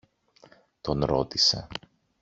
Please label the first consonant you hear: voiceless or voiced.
voiceless